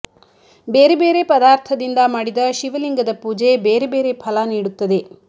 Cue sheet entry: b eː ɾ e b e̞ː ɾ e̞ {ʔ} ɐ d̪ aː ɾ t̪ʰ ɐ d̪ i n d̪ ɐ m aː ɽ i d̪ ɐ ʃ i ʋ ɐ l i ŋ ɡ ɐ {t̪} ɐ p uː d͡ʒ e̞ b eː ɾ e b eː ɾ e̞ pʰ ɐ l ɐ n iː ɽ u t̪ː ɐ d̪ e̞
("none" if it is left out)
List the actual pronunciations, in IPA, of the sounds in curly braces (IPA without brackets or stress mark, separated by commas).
p, d̪